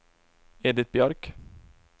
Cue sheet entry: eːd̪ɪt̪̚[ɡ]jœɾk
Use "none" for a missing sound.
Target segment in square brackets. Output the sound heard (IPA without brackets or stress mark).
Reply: b